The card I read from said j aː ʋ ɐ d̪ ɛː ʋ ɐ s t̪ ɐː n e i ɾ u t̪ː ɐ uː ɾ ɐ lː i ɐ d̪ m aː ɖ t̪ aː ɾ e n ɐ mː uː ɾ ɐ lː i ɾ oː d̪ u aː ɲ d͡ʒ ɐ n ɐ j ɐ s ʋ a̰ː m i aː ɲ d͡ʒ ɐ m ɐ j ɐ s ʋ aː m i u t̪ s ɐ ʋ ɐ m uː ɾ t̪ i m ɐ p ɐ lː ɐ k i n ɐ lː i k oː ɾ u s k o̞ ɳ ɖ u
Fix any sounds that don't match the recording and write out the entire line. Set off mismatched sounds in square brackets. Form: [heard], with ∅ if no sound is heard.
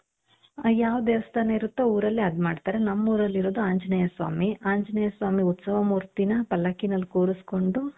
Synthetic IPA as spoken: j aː ʋ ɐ d̪ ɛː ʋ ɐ s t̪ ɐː n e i ɾ u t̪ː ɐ uː ɾ ɐ lː i ɐ d̪ m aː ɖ t̪ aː ɾ e n ɐ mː uː ɾ ɐ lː i ɾ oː d̪ u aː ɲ d͡ʒ ɐ n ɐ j ɐ s ʋ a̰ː m i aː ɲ d͡ʒ ɐ [n] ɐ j ɐ s ʋ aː m i u t̪ s ɐ ʋ ɐ m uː ɾ t̪ i [n] ɐ p ɐ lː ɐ k i n ɐ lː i k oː ɾ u s k o̞ ɳ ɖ u